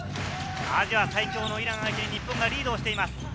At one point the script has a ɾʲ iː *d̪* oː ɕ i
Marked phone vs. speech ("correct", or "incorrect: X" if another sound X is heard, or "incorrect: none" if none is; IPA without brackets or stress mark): correct